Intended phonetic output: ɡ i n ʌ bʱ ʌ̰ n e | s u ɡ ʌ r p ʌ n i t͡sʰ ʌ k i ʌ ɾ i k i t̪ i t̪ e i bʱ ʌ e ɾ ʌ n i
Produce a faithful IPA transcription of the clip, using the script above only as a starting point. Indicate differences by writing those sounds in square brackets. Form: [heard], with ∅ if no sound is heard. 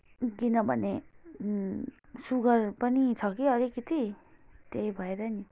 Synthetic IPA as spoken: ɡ i n ʌ bʱ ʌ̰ n e | s u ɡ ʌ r p ʌ n i t͡sʰ ʌ k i ʌ ɾ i k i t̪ i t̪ e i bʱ ʌ e ɾ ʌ n i

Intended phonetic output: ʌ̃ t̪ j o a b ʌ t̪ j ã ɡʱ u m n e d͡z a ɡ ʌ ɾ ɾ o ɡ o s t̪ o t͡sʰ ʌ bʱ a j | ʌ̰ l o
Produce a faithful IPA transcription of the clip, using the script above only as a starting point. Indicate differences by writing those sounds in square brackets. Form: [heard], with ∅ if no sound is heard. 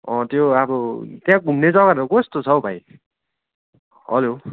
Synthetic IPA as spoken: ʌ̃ t̪ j o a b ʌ t̪ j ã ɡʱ u m n e d͡z [ʌ] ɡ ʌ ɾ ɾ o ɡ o s t̪ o t͡sʰ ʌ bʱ a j | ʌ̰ l o

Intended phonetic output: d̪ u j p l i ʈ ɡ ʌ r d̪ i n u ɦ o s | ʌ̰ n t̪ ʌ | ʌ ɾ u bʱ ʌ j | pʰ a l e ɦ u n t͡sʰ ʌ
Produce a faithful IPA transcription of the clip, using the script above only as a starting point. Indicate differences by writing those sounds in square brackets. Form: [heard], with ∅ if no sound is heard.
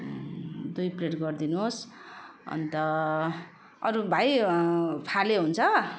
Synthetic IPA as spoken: d̪ u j p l [e] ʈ ɡ ʌ r d̪ i n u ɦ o s | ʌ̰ n t̪ ʌ | ʌ ɾ u bʱ [a] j | pʰ a l e ɦ u n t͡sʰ ʌ

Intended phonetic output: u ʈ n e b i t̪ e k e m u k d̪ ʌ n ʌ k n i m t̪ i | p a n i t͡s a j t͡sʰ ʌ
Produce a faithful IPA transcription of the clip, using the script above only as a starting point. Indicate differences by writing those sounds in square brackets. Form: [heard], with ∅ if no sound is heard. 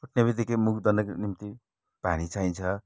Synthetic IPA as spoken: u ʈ n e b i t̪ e k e m u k d̪ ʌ n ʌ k n i m t̪ i | p a n i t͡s a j t͡sʰ ʌ

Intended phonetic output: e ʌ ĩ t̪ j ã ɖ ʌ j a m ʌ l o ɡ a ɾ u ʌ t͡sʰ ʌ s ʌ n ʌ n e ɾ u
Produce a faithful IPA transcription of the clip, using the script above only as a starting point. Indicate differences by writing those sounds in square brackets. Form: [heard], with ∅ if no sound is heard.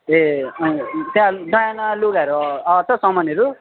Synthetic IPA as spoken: e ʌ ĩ t̪ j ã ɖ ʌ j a [n] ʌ l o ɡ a ɾ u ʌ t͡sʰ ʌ s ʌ [m] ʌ n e ɾ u

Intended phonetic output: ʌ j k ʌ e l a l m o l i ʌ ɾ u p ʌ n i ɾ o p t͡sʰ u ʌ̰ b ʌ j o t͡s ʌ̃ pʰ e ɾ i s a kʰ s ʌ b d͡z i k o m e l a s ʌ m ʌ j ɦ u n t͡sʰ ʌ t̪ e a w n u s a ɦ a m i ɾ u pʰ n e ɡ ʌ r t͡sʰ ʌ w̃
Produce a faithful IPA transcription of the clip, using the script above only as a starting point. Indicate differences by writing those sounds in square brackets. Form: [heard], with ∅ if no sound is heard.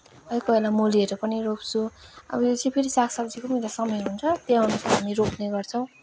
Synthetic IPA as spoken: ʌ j k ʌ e l a [∅] m o l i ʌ ɾ u p ʌ n i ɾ o p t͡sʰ u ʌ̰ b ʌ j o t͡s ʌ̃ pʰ e ɾ i s a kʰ s ʌ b d͡z i k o m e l a s ʌ m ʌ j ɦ u n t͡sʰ ʌ t̪ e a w n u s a ɦ a m i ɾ [o] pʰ n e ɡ ʌ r t͡sʰ ʌ w̃

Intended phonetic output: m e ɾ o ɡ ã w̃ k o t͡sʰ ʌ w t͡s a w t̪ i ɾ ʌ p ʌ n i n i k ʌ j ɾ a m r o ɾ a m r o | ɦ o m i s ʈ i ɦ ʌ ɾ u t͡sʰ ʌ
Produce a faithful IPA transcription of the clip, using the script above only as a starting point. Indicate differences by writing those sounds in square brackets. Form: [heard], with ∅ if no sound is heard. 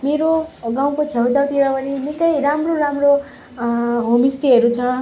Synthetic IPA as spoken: m e ɾ o ɡ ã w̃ k o t͡sʰ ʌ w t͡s a w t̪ i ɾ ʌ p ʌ n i n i k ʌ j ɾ a m r o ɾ a m r o | ɦ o m i s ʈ i ɦ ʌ ɾ u t͡sʰ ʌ

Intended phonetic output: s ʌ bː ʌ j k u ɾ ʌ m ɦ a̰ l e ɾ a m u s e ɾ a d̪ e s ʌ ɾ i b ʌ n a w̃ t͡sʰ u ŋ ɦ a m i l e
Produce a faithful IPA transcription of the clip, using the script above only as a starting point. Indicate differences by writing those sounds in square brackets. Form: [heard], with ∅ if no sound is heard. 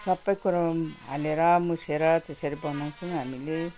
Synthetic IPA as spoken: s ʌ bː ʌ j k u ɾ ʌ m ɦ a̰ l e ɾ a m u s e ɾ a [t̪] e s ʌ ɾ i b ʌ n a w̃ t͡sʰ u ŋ ɦ a m i l e

